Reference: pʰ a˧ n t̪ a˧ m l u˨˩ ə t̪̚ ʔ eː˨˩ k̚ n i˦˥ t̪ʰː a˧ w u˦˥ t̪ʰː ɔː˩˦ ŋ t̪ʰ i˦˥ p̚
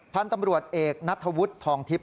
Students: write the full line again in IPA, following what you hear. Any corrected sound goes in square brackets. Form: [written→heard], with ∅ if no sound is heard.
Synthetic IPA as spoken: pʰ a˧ n t̪ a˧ m [l→ɾ] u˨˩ ə t̪̚ ʔ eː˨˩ k̚ n [i˦˥→a˦˥] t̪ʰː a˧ w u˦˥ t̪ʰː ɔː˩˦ ŋ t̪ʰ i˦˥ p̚